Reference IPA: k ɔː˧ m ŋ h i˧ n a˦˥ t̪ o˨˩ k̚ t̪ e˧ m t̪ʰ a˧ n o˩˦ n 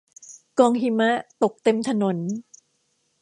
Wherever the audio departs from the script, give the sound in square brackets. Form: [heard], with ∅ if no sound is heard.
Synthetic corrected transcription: k ɔː˧ [∅] ŋ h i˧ [m] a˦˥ t̪ o˨˩ k̚ t̪ e˧ m t̪ʰ a˧ n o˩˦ n